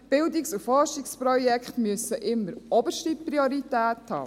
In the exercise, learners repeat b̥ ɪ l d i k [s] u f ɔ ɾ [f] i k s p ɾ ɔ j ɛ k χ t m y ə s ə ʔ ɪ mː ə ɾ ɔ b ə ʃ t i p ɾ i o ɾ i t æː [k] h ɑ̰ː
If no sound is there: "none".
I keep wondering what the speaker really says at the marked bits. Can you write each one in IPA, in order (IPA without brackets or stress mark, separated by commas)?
s, ʃ, t